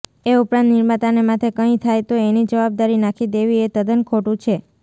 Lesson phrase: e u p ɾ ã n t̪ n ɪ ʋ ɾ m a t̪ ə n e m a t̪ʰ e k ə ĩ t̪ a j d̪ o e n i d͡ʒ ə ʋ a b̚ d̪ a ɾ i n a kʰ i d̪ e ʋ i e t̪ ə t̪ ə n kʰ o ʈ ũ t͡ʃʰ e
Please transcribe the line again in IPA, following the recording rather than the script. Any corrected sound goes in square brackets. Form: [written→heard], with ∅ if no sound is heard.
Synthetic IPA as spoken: e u p ɾ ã n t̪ n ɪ [ʋ→∅] ɾ m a t̪ [ə→a] n e m a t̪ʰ e k ə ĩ [t̪→t̪ʰ] a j [d̪→t̪] o e n i d͡ʒ ə ʋ a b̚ d̪ a ɾ i n a kʰ i d̪ e ʋ i e t̪ ə [t̪→d̪] ə n kʰ o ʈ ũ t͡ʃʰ e

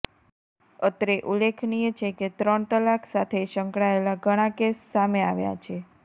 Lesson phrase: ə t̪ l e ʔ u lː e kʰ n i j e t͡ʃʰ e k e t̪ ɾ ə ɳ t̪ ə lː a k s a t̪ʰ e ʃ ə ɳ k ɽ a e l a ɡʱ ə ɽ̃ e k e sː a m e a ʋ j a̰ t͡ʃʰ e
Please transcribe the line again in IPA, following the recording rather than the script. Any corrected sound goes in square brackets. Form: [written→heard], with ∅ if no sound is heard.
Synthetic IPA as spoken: ə t̪ [l→ɾ] e ʔ u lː e kʰ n i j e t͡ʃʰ e k e t̪ ɾ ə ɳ t̪ ə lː a k s a t̪ʰ e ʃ ə [ɳ→ŋ] k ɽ a e l a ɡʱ ə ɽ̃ [e→a] k e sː a m e a ʋ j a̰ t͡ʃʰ e

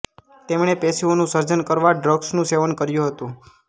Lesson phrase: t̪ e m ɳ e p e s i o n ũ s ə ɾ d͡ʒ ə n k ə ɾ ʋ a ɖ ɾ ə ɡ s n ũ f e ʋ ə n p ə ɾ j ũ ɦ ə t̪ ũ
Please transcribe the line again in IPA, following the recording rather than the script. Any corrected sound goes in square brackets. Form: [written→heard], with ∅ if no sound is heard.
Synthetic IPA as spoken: t̪ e m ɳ e p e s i o n ũ s ə ɾ d͡ʒ ə n k ə ɾ ʋ a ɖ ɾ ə ɡ s n ũ [f→s] e ʋ ə n [p→k] ə ɾ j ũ ɦ ə t̪ ũ

